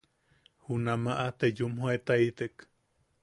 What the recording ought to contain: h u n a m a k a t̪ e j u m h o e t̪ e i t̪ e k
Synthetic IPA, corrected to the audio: h u n a m a ʔ a t̪ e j u m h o e t̪ a i t̪ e k